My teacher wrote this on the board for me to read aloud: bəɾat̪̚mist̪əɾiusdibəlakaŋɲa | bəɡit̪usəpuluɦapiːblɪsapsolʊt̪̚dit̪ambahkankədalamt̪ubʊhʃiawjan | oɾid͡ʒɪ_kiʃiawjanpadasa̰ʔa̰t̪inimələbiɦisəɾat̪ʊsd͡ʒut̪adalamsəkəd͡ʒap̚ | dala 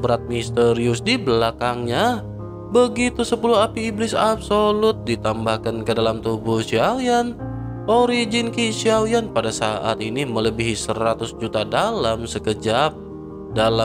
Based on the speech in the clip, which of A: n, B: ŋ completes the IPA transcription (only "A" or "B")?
A